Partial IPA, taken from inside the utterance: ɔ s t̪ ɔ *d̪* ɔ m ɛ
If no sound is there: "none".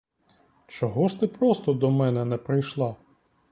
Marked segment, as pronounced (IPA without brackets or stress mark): d̪